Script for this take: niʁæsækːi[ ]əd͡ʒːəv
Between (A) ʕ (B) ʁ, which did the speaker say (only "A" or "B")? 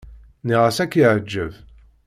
A